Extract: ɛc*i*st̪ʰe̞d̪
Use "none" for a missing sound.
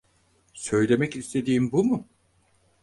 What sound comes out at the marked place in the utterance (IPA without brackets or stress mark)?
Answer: i